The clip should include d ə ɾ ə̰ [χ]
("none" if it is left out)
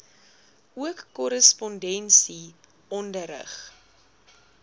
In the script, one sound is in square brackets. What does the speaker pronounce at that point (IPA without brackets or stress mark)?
χ